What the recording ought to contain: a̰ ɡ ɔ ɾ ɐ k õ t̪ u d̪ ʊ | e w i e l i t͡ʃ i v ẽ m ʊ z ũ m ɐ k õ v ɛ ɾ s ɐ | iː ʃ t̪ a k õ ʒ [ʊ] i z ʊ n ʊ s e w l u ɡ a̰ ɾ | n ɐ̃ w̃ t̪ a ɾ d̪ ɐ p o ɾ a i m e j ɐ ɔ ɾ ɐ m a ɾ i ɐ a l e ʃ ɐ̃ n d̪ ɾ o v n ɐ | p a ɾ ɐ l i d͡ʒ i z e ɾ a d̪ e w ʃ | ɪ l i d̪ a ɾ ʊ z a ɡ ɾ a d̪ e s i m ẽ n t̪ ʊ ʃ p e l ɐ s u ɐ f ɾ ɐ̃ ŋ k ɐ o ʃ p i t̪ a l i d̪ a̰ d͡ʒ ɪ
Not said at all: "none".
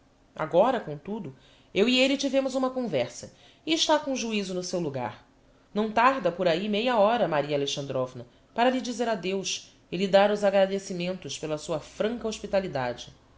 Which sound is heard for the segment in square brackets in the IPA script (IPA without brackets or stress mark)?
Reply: u